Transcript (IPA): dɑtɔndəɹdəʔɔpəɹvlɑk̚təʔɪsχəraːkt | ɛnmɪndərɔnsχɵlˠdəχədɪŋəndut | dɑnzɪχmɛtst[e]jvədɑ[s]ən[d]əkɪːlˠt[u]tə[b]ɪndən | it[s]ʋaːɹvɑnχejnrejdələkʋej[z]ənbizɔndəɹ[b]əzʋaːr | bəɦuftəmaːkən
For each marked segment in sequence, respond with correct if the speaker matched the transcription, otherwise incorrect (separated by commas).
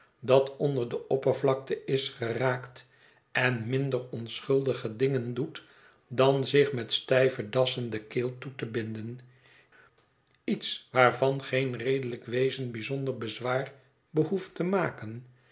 incorrect, correct, correct, correct, correct, correct, correct, correct